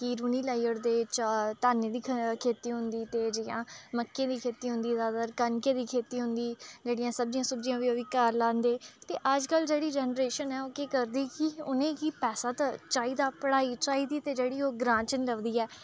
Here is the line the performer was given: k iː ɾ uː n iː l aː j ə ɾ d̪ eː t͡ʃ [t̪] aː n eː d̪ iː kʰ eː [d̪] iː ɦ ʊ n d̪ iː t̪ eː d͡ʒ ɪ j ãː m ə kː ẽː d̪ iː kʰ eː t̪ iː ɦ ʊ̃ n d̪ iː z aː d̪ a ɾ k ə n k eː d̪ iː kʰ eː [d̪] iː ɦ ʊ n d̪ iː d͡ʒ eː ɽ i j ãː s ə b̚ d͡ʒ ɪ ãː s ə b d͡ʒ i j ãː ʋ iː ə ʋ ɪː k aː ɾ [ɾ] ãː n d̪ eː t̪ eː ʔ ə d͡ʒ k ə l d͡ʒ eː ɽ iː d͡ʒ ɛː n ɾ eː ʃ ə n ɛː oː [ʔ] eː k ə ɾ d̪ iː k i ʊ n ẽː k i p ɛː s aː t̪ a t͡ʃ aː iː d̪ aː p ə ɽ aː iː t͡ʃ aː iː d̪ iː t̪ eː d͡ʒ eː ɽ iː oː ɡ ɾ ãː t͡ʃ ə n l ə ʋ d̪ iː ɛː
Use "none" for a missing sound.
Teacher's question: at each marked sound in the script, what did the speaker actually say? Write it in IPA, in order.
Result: t̪, t̪, t̪, l, k

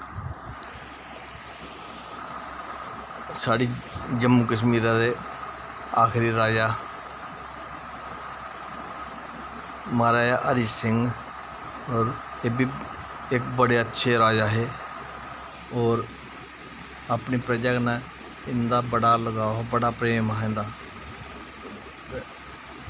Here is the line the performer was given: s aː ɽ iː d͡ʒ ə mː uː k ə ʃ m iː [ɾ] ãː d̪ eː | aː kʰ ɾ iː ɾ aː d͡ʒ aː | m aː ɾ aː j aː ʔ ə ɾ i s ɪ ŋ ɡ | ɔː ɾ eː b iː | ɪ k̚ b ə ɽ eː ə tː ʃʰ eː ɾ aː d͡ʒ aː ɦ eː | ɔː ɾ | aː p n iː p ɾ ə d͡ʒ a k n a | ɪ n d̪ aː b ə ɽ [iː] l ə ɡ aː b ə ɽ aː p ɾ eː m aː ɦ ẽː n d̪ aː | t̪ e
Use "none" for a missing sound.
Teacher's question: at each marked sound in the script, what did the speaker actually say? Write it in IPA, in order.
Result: ɾ, aː

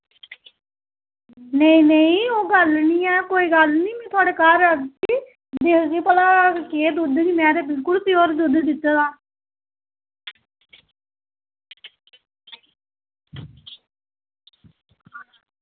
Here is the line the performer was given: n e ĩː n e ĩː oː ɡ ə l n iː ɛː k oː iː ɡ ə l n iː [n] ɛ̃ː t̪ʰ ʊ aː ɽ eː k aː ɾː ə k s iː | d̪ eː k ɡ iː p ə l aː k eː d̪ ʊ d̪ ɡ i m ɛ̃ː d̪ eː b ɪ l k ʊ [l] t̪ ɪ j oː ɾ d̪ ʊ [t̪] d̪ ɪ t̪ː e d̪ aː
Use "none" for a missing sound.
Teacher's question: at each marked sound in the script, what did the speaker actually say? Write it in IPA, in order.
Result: m, l, d̪

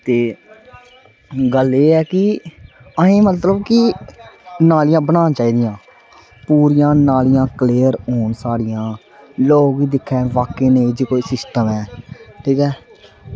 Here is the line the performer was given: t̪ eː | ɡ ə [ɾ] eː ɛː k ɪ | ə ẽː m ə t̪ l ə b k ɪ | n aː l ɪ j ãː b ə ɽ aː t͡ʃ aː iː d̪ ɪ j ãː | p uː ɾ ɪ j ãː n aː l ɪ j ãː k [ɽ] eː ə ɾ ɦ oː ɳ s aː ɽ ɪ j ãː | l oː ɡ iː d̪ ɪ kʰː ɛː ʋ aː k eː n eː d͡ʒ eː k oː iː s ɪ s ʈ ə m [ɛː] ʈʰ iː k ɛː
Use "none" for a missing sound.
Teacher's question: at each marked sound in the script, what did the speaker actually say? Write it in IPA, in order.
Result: l, l, ɛː

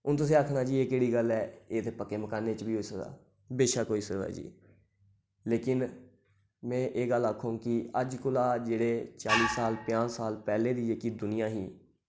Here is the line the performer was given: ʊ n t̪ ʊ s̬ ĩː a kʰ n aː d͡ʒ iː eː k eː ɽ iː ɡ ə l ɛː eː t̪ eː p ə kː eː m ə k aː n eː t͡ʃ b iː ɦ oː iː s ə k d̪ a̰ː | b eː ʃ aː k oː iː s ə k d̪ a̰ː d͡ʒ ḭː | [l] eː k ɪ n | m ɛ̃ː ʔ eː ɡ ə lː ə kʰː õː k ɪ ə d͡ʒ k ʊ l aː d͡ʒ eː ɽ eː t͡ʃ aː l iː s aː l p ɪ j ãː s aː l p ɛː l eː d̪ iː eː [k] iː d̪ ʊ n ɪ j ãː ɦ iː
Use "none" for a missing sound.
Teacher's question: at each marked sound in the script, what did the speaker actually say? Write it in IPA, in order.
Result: l, k

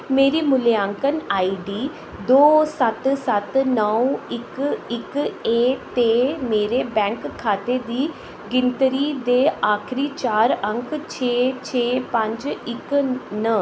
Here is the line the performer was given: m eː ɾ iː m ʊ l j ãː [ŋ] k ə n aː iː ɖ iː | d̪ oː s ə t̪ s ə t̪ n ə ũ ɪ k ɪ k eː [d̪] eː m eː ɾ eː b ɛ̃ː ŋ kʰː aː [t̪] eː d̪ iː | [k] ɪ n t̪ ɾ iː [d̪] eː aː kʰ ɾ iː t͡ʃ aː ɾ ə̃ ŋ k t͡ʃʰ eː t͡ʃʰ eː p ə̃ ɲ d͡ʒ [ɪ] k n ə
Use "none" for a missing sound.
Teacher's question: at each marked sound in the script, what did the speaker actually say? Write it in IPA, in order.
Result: ŋ, t̪, t̪, ɡ, d̪, ɪ

